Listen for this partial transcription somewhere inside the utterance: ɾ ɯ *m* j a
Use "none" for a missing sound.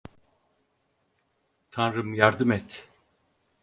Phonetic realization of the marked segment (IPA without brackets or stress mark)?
m